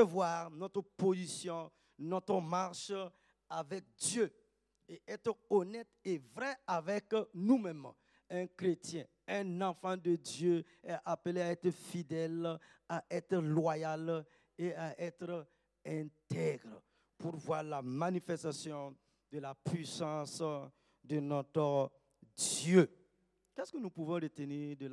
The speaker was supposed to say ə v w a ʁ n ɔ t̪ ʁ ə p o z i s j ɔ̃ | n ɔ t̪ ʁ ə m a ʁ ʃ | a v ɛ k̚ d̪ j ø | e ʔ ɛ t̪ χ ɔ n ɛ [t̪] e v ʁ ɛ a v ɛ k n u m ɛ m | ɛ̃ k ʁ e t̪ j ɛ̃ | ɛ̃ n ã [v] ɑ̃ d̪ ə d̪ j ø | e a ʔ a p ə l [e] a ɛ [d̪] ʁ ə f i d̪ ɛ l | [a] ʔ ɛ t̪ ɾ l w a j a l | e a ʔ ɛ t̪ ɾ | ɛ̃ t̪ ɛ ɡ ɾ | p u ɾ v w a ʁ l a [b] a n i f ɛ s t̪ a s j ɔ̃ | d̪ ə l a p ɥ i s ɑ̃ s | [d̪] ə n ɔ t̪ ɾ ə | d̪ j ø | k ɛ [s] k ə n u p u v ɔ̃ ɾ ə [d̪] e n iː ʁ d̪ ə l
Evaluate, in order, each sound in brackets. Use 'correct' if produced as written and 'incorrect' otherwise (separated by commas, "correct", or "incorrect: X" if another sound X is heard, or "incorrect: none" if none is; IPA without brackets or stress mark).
correct, incorrect: f, correct, incorrect: t̪, correct, incorrect: m, correct, correct, incorrect: t̪